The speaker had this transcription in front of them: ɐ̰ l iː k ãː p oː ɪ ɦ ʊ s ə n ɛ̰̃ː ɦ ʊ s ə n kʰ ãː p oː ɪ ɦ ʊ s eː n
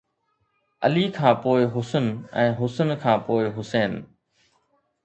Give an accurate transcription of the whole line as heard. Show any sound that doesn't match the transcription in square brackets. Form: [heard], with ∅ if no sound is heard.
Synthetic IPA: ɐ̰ l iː [kʰ] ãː p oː ɪ ɦ ʊ s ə n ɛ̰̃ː ɦ ʊ s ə n kʰ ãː p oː ɪ ɦ ʊ s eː n

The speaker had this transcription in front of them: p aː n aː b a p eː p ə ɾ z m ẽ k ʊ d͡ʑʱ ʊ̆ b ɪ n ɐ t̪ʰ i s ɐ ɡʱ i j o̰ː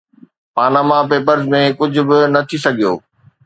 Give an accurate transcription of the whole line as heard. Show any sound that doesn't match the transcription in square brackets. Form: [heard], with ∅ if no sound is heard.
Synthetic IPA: p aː n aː [m] a p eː p ə ɾ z m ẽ k ʊ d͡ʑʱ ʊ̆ b ɪ n ɐ t̪ʰ i s ɐ ɡʱ i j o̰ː

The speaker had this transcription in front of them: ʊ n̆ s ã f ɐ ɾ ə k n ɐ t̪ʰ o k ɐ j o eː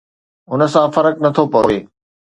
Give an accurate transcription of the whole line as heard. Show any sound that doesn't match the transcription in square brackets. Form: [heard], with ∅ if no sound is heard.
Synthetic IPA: ʊ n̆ s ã f ɐ ɾ ə k n ɐ t̪ʰ o [p] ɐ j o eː

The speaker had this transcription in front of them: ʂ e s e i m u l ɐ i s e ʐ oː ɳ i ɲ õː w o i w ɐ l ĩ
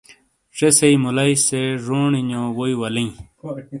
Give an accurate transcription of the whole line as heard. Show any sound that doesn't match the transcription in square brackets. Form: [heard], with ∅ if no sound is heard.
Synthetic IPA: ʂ e s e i m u l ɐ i s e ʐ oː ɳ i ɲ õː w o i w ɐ l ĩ

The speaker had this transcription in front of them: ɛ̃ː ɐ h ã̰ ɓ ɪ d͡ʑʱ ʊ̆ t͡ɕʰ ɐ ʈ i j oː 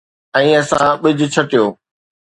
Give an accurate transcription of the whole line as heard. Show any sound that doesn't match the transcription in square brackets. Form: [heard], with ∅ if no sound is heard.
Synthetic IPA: ɛ̃ː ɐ [s] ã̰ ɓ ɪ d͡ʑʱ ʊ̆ t͡ɕʰ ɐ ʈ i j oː

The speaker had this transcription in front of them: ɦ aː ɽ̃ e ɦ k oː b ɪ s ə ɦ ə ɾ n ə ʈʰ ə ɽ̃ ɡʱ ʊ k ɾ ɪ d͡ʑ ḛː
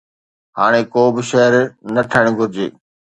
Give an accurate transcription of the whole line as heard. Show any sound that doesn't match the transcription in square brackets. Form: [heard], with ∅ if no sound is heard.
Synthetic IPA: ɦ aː ɽ̃ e [∅] k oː b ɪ [ʃ] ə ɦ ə ɾ n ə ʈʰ ə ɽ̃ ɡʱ ʊ [∅] ɾ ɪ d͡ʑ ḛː

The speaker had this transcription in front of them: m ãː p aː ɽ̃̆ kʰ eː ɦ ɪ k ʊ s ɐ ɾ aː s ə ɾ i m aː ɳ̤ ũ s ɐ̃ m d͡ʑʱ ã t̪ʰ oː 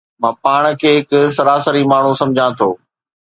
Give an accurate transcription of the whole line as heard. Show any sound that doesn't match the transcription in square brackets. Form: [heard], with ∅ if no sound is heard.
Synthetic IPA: m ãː p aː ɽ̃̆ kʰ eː ɦ ɪ k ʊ s ɐ ɾ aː s ə ɾ i m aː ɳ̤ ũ s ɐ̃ m d͡ʑʱ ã t̪ʰ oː

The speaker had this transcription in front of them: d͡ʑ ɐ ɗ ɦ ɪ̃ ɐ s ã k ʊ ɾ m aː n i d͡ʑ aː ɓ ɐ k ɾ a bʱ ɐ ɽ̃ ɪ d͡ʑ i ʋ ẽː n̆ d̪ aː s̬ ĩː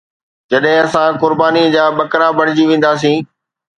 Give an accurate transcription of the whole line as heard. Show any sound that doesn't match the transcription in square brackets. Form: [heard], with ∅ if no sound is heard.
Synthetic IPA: d͡ʑ ɐ ɗ ɦ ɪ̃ ɐ s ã k ʊ ɾ [b] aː n i d͡ʑ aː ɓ ɐ k ɾ a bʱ ɐ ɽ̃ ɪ d͡ʑ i ʋ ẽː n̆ d̪ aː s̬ ĩː

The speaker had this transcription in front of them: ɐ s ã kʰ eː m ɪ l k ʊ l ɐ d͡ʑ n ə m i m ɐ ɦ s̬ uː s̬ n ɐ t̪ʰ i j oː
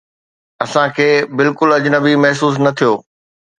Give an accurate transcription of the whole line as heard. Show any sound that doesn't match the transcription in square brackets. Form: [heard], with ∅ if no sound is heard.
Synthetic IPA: ɐ s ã kʰ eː [b] ɪ l k ʊ l ɐ d͡ʑ n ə [b] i m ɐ ɦ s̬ uː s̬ n ɐ t̪ʰ i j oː

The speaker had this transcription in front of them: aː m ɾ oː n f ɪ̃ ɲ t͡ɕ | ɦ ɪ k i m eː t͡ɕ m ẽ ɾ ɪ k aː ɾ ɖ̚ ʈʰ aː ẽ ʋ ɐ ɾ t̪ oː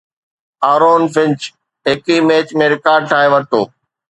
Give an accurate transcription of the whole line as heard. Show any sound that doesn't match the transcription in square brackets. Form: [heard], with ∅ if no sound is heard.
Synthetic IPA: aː [∅] ɾ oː n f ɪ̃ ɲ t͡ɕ | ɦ ɪ k i m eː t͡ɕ m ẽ ɾ ɪ k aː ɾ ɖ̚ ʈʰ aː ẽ ʋ ɐ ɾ t̪ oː

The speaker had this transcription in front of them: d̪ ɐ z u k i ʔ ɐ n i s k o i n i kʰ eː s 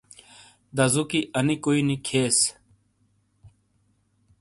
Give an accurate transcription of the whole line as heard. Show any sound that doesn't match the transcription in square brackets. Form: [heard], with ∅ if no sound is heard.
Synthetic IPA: d̪ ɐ z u k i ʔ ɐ n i [∅] k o i n i kʰ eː s

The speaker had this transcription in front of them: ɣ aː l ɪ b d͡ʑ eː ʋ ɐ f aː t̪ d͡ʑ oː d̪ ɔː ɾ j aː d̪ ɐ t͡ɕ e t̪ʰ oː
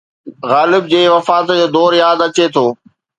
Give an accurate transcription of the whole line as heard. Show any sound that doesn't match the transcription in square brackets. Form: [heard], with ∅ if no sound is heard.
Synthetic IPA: ɣ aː l ɪ b d͡ʑ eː ʋ ɐ f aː t̪ d͡ʑ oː d̪ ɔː ɾ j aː d̪ ɐ t͡ɕ e t̪ʰ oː

